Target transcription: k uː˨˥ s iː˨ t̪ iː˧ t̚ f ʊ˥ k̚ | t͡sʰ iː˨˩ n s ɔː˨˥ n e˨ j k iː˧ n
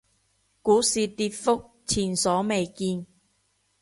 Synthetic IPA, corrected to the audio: k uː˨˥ s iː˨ t̪ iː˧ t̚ f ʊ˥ k̚ | t͡sʰ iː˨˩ n s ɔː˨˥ m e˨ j k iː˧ n